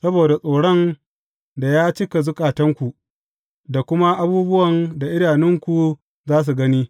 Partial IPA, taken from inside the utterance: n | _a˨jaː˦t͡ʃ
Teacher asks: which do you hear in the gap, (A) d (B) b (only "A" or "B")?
A